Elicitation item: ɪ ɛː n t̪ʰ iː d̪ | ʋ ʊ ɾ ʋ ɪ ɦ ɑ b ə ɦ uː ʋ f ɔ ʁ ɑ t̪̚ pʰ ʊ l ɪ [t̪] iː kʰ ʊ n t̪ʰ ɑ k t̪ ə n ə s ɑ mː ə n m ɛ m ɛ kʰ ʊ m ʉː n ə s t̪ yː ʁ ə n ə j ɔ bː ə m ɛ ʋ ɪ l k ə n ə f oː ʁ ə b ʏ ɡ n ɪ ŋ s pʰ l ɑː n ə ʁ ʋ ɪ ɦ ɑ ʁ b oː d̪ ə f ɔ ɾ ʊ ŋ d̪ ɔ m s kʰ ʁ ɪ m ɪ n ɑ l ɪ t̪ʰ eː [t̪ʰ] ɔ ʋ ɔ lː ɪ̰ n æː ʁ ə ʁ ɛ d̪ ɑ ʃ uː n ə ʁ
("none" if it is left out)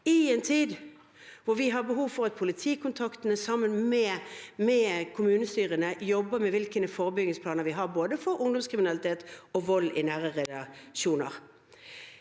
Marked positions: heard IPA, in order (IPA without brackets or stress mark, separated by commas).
t̪ʰ, t̪